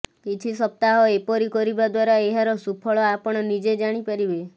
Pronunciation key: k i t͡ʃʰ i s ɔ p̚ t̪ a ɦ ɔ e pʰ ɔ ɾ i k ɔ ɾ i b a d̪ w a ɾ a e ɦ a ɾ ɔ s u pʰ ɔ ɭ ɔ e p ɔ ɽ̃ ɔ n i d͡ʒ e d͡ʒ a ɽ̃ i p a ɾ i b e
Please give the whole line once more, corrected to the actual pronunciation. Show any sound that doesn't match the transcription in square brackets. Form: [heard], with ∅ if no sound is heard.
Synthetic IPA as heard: k i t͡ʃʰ i s ɔ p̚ t̪ a ɦ ɔ e [p] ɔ ɾ i k ɔ ɾ i b a d̪ w a ɾ a e ɦ a ɾ ɔ s u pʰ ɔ ɭ ɔ [a] p ɔ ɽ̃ ɔ n i d͡ʒ e d͡ʒ a ɽ̃ i p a ɾ i b e

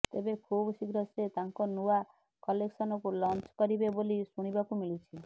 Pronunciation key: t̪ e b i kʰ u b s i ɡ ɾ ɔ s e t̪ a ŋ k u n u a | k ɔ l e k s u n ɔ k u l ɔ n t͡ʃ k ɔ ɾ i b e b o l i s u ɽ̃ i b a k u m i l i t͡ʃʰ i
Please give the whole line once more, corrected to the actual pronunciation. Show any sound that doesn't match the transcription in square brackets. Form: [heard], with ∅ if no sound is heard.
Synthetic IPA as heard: t̪ e b [e] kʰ u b s i ɡ ɾ ɔ s e t̪ a ŋ k [ɔ] n u a | k ɔ l e k s [ɔ] n ɔ k u l ɔ n t͡ʃ k ɔ ɾ i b e b o l i s u ɽ̃ i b a k u m i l i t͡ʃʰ i

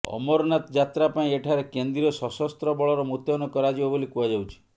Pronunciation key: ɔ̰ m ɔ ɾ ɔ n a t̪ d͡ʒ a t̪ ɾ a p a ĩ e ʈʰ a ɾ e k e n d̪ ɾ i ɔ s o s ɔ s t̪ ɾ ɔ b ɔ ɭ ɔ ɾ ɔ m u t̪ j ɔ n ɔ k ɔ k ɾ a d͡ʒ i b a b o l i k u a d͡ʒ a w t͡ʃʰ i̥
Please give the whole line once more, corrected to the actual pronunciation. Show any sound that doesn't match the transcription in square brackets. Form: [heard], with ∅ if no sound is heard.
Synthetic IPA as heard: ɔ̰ m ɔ ɾ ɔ n a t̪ d͡ʒ a t̪ ɾ a p a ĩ e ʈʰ a ɾ e k e n d̪ ɾ i ɔ s [ɔ] s ɔ s t̪ ɾ ɔ b ɔ ɭ ɔ ɾ ɔ m u t̪ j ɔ n ɔ k ɔ [∅] ɾ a d͡ʒ i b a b o l i k u a d͡ʒ a w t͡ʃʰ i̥

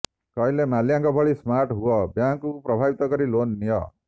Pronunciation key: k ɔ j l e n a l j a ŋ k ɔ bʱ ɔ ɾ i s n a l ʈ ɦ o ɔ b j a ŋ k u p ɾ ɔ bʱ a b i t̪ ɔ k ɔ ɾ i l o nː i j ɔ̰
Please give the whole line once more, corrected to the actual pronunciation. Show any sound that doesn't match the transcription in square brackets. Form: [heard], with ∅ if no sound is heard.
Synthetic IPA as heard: k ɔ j l e [m] a l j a ŋ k ɔ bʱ ɔ [ɭ] i s [m] a [ɾ] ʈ ɦ [u] ɔ b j a ŋ k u p ɾ ɔ bʱ a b i t̪ ɔ k ɔ ɾ i l o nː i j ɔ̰

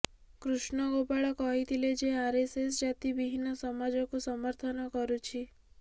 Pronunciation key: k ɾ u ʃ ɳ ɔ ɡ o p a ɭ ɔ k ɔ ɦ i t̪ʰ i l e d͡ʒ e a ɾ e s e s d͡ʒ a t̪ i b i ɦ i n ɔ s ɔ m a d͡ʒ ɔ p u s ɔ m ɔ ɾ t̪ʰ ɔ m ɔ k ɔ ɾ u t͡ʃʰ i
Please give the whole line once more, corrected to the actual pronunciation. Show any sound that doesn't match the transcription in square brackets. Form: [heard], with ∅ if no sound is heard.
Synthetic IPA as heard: k ɾ u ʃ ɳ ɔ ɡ o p a ɭ ɔ k ɔ ɦ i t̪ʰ i l e d͡ʒ e a ɾ e s e s d͡ʒ a t̪ i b i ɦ i n ɔ s ɔ m a d͡ʒ ɔ [k] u s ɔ m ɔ ɾ t̪ʰ ɔ [n] ɔ k ɔ ɾ u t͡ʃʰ i

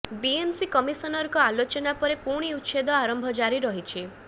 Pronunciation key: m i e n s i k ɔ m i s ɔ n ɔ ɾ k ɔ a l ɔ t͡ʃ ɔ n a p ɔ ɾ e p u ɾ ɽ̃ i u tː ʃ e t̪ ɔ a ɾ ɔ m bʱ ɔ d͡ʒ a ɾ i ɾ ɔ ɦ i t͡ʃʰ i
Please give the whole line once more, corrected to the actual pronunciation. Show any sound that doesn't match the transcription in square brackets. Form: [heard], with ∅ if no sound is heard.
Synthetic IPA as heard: [b] i e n s i k ɔ m i s ɔ n ɔ ɾ k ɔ a l [o] t͡ʃ ɔ n a p ɔ ɾ e p u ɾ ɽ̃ i u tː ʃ e [d̪] ɔ a ɾ ɔ m bʱ ɔ d͡ʒ a ɾ i ɾ ɔ ɦ i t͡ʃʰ i

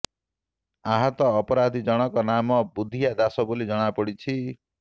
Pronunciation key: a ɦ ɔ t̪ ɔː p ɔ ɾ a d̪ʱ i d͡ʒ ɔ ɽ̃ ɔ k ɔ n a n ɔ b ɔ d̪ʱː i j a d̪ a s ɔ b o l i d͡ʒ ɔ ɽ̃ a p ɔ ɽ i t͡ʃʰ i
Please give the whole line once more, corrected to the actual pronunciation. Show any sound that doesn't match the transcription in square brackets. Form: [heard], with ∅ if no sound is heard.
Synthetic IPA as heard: a ɦ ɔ t̪ ɔː p ɔ ɾ a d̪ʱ i d͡ʒ ɔ ɽ̃ ɔ k ɔ n a [m] ɔ b [u] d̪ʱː i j a d̪ a s ɔ b o l i d͡ʒ ɔ ɽ̃ a p ɔ ɽ i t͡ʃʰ i

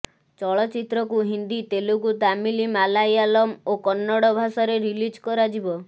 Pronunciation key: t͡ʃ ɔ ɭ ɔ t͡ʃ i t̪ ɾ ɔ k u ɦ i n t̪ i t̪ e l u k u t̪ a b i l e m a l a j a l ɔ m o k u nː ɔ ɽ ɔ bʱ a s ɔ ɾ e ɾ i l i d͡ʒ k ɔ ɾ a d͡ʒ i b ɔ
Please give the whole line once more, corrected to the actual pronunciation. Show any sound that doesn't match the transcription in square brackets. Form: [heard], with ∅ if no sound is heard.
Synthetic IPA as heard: t͡ʃ ɔ ɭ ɔ t͡ʃ i t̪ ɾ ɔ k u ɦ i n [d̪] i t̪ e l u k u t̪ a [m] i l [i] m a l a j a l ɔ m o k [ɔ] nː ɔ ɽ ɔ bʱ a s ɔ ɾ e ɾ i l i d͡ʒ k ɔ ɾ a d͡ʒ i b ɔ

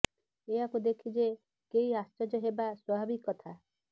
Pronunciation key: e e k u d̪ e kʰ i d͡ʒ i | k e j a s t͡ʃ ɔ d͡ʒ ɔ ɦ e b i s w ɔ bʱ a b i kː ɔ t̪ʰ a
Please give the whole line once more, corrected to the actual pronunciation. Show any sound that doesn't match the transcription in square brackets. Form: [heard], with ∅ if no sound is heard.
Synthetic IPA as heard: e [a] k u d̪ e kʰ i d͡ʒ [e] | k e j a s t͡ʃ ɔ d͡ʒ ɔ ɦ e b [a] s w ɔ bʱ a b i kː ɔ t̪ʰ a

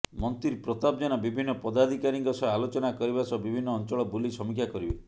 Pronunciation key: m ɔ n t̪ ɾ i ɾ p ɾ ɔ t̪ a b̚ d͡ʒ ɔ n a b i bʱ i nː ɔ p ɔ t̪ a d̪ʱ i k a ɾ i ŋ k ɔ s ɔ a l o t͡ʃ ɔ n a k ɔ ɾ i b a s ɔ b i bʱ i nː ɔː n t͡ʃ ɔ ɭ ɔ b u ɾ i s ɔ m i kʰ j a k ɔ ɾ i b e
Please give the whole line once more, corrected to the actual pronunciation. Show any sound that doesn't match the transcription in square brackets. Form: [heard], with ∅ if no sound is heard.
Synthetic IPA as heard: m ɔ n t̪ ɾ i ɾ p ɾ ɔ t̪ a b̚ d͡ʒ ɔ n a b i bʱ i nː ɔ p ɔ [d̪] a d̪ʱ i k a ɾ i ŋ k ɔ s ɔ a l o t͡ʃ ɔ n a k ɔ ɾ i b a s ɔ b i bʱ i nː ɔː n t͡ʃ ɔ ɭ ɔ b u [l] i s ɔ m i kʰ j a k ɔ ɾ i b e

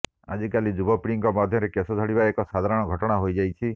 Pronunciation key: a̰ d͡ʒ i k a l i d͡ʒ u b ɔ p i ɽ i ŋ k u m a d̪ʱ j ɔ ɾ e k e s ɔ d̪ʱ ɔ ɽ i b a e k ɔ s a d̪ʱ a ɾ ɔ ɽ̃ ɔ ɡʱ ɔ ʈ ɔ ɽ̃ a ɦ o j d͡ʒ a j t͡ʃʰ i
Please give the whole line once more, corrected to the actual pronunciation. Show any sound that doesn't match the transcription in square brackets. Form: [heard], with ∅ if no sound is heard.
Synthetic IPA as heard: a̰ d͡ʒ i k a l i d͡ʒ u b ɔ p i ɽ i ŋ k [ɔ] m a d̪ʱ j ɔ ɾ e k e s ɔ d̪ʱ ɔ ɽ i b a e k ɔ s a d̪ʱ a ɾ ɔ ɽ̃ ɔ ɡʱ ɔ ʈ ɔ ɽ̃ a ɦ o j d͡ʒ a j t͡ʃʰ i

